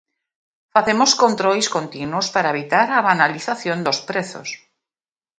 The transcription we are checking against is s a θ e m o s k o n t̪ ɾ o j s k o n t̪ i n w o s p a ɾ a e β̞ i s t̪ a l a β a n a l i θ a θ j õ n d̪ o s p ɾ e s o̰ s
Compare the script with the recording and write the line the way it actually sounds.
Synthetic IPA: f a θ e m o s k o n t̪ ɾ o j s k o n t̪ i n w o s p a ɾ a e β̞ i t̪ a ɾ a β a n a l i θ a θ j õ n d̪ o s p ɾ e θ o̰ s